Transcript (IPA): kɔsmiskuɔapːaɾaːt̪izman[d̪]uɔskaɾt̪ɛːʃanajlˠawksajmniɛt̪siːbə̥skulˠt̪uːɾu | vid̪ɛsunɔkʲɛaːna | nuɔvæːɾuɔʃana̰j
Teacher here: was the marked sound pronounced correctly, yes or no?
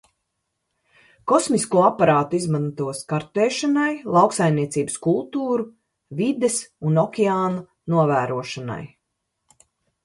no